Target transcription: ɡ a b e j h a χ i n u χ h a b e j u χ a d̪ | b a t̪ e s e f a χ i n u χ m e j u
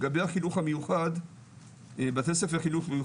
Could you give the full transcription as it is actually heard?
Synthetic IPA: ɡ a b e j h a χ i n u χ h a m e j u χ a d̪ | b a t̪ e s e f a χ i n u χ m e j u